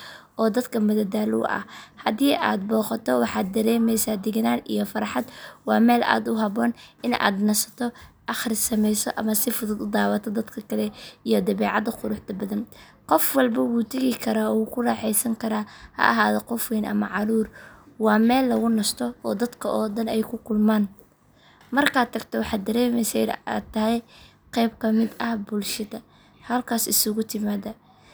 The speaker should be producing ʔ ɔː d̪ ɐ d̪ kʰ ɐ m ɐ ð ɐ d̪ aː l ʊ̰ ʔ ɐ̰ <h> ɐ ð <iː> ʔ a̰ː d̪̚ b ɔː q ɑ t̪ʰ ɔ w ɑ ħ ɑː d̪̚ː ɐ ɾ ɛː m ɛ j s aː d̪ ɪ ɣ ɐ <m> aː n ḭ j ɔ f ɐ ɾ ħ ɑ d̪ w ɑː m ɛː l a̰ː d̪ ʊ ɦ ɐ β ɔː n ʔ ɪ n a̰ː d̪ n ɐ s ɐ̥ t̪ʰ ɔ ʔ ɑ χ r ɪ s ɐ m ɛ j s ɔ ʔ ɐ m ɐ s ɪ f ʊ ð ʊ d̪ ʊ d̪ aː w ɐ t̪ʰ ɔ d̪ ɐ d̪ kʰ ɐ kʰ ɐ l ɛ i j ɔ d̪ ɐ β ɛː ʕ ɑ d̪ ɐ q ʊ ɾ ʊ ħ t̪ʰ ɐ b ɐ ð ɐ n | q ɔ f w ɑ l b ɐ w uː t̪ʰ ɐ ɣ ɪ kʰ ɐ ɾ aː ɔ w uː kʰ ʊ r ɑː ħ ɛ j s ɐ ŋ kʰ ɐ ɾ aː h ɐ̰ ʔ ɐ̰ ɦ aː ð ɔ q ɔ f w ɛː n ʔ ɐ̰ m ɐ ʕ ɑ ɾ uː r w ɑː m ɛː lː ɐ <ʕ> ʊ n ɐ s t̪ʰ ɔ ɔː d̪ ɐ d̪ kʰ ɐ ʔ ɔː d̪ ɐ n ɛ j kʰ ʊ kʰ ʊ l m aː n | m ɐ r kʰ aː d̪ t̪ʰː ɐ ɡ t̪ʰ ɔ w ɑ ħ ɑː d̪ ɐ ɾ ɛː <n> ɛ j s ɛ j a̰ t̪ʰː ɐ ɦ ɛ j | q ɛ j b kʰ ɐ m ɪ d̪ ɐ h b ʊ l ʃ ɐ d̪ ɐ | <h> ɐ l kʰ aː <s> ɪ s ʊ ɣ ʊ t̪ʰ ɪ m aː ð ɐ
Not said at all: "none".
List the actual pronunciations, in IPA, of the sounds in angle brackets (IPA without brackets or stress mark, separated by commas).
h, iː, n, ɣ, m, h, s